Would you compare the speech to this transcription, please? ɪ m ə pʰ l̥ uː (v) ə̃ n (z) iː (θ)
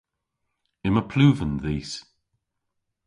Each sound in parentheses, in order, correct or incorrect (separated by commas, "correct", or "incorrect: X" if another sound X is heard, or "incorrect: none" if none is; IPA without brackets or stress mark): correct, incorrect: ð, incorrect: s